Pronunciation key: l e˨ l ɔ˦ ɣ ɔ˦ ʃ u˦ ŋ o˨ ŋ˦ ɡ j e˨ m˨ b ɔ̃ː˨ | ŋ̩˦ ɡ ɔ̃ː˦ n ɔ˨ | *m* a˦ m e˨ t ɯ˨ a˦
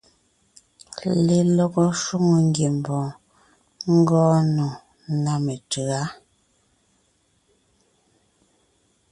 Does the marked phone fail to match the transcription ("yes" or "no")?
yes